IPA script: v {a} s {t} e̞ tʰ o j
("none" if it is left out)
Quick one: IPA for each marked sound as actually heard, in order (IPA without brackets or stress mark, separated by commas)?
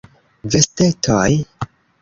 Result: e, t